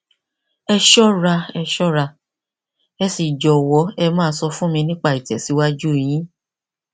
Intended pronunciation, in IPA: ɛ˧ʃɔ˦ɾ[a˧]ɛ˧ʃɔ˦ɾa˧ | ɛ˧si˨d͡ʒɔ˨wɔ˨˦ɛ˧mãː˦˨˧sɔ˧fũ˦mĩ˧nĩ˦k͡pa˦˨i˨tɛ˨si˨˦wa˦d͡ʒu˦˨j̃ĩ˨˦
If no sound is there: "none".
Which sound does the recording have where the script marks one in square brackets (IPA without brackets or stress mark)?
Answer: a˧